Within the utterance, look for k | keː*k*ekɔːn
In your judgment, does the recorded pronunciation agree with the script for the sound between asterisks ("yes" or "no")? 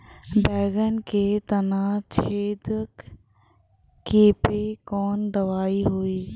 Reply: no